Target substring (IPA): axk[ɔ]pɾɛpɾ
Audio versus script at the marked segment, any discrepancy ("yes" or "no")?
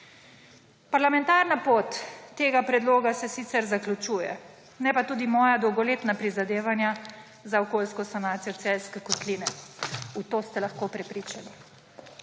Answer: yes